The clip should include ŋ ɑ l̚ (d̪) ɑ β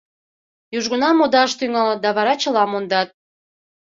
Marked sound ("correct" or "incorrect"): correct